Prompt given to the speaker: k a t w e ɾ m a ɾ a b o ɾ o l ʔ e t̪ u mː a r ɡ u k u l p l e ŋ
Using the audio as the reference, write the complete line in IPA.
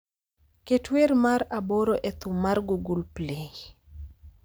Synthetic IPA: k e t w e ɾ m a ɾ a b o ɾ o ʔ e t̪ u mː a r ɡ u ɡ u l p l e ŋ